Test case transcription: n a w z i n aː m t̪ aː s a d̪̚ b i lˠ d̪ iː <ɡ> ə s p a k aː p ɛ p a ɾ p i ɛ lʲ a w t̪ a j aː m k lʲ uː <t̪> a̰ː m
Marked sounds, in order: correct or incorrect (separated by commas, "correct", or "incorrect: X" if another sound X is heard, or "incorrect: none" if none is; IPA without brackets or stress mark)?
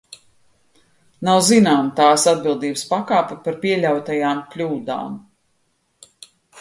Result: incorrect: b, incorrect: d̪